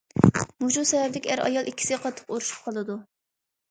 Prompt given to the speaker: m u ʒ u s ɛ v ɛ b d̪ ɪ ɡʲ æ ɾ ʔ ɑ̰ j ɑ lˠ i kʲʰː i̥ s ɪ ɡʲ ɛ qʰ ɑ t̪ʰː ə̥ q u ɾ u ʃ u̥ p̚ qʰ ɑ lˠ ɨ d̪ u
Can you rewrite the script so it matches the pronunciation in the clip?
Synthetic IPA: m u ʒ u s ɛ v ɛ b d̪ ɪ kʲ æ ɾ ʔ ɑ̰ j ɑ lˠ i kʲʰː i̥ s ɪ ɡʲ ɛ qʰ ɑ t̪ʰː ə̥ q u ɾ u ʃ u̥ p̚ qʰ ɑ lˠ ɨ d̪ u